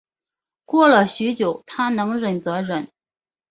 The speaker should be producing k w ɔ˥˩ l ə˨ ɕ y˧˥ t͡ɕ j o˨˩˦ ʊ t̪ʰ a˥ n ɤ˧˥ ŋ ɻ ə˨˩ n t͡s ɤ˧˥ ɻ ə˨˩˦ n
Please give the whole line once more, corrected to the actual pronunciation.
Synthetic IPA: k w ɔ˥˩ l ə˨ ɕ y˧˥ t͡ɕ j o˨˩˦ ʊ t̪ʰ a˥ n ɤ˧˥ ŋ ɻ ə˨˩ n t͡s ɤ˧˥ ɻ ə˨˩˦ n